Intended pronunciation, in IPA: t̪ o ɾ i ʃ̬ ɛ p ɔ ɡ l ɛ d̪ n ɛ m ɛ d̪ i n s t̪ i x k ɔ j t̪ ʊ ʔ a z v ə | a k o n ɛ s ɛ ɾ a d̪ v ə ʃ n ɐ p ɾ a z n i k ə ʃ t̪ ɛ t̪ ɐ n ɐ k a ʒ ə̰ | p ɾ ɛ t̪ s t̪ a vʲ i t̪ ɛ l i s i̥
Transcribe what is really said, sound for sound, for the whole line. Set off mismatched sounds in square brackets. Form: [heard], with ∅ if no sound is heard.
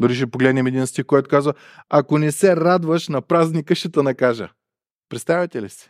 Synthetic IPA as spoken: [d̪] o ɾ i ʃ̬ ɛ p [o] ɡ l ɛ d̪ n ɛ m ɛ d̪ i n s t̪ i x k ɔ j t̪ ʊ [k] a z v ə | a k o n ɛ s ɛ ɾ a d̪ v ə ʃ n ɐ p ɾ a z n i k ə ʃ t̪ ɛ t̪ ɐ n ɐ k a ʒ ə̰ | p ɾ ɛ t̪ s t̪ a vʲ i t̪ ɛ l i s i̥